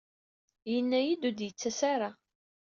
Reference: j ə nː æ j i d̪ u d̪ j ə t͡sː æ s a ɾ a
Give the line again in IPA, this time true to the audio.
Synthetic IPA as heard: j ə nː æ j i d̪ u d̪ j ə t͡sː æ s a ɾ a